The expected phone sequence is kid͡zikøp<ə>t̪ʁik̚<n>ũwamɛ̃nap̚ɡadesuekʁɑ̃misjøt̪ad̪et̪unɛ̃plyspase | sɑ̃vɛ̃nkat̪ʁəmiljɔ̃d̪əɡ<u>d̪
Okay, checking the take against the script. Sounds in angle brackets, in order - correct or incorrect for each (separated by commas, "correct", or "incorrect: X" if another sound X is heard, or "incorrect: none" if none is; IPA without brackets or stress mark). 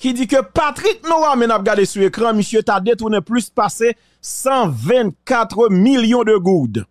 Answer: incorrect: a, correct, correct